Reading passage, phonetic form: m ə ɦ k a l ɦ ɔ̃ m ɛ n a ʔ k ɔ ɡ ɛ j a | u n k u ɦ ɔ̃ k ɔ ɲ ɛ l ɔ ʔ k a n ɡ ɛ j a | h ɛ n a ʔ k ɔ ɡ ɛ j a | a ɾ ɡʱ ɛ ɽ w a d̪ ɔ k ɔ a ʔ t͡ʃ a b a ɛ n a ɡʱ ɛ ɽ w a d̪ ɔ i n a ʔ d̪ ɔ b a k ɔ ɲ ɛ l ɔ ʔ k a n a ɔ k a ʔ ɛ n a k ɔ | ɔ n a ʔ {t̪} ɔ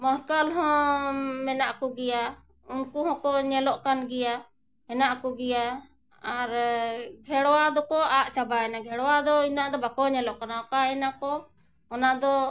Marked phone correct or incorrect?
incorrect